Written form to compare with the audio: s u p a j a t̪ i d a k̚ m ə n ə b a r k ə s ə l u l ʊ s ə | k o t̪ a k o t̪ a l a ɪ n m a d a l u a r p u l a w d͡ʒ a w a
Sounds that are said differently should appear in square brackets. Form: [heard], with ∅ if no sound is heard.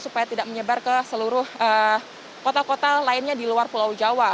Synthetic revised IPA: s u p a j a t̪ i d a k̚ m ə [ɲ] ə b a r k ə s ə l u [ɾ] ʊ [h] ə | k o t̪ a k o t̪ a l a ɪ n [ɲ] a d [i] l u a r p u l a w d͡ʒ a w a